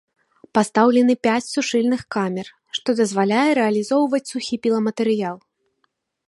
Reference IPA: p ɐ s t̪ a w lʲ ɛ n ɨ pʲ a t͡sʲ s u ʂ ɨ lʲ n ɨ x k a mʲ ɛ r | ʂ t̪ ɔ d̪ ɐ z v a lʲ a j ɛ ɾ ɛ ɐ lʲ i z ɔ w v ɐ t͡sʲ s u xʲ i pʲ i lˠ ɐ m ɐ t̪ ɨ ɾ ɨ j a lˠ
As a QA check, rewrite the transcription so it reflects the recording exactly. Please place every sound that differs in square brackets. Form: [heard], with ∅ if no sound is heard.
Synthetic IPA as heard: p [a] s t̪ a w lʲ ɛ n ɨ pʲ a t͡sʲ s u ʂ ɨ lʲ n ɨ x k a mʲ ɛ r | ʂ t̪ ɔ d̪ ɐ z v a lʲ a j ɛ ɾ ɛ ɐ lʲ i z ɔ w v ɐ t͡sʲ s u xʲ i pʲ i lˠ ɐ m ɐ t̪ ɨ ɾ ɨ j a lˠ